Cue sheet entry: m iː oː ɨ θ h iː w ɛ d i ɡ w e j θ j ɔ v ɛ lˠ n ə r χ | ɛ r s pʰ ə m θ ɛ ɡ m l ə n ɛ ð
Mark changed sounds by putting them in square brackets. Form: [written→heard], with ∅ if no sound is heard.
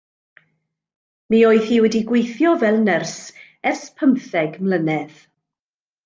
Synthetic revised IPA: m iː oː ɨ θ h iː w ɛ d i ɡ w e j θ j ɔ v ɛ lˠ n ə r [χ→s] | ɛ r s pʰ ə m θ ɛ ɡ m l ə n ɛ ð